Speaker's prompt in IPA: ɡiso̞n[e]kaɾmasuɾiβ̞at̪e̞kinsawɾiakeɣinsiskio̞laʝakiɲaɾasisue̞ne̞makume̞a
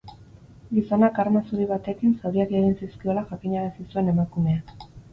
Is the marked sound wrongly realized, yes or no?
yes